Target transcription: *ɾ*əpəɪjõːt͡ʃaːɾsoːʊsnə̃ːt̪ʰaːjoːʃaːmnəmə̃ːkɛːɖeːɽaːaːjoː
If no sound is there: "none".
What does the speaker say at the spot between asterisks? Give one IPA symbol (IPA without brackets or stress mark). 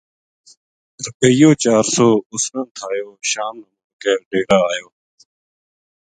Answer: ɾ